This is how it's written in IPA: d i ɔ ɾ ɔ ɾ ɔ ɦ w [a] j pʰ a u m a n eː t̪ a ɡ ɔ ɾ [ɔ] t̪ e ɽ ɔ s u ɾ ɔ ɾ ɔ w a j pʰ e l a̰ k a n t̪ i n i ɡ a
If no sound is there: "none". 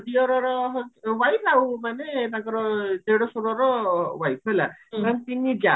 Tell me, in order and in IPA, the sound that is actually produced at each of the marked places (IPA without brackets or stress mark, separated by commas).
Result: a, ɔ